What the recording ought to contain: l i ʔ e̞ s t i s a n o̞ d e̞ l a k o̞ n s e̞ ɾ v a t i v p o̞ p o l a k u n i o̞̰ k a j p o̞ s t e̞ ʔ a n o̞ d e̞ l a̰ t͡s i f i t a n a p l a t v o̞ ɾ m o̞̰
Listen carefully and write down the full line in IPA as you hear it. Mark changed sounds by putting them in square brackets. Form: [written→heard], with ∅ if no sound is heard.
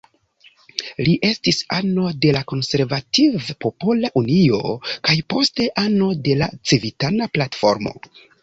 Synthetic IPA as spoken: l i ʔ e̞ s t i s a n o̞ d e̞ l a k o̞ n s e̞ ɾ v a t i v p o̞ p o l a [k→ʔ] u n i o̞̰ k a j p o̞ s t e̞ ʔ a n o̞ d e̞ l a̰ t͡s i [f→v] i t a n a p l a t [v→f] o̞ ɾ m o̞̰